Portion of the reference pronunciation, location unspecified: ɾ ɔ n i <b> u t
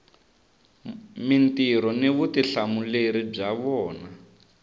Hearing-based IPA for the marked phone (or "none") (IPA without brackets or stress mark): β